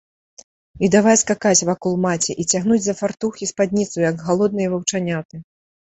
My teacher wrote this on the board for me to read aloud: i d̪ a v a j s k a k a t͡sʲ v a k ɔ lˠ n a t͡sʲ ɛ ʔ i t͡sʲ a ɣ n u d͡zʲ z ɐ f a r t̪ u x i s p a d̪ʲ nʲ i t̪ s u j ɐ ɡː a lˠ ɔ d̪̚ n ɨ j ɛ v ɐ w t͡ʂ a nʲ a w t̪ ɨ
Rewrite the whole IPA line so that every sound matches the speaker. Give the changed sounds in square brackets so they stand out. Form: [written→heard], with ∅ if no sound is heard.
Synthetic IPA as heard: i d̪ a v a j s k a k a t͡sʲ v a k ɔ lˠ [n→m] a t͡sʲ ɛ ʔ i t͡sʲ a ɣ n u d͡zʲ z ɐ f a r t̪ u x i s p a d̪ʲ nʲ i t̪ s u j ɐ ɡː a lˠ ɔ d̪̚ n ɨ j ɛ v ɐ w t͡ʂ a nʲ a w t̪ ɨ